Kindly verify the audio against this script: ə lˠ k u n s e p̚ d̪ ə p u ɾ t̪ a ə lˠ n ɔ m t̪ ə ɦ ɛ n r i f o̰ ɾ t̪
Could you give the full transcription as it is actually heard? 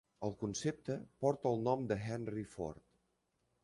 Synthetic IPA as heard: ə lˠ k u n s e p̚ t̪ ə p ɔ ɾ t̪ ə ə lˠ n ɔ m d̪ ə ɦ ɛ n r i f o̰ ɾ t̪